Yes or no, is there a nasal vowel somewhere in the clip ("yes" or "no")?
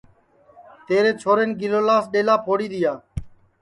no